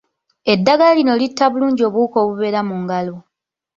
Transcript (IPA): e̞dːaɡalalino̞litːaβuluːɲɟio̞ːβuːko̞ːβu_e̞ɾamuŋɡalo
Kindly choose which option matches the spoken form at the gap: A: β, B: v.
A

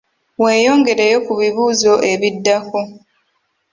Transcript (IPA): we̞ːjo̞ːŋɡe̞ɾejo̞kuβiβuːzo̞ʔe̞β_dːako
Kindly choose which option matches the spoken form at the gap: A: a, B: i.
B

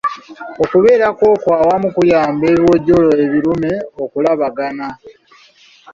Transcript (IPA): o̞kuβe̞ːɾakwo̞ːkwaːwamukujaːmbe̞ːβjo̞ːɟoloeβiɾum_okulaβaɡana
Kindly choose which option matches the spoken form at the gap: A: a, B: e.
B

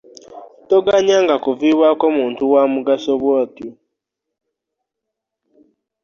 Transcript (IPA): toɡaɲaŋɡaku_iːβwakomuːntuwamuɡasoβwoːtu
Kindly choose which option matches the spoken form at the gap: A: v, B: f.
A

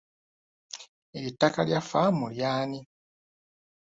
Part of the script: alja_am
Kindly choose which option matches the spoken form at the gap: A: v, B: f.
B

